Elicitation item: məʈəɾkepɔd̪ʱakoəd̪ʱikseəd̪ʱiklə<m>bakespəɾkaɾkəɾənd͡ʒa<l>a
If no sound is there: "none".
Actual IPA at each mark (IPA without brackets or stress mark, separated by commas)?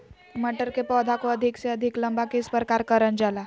m, l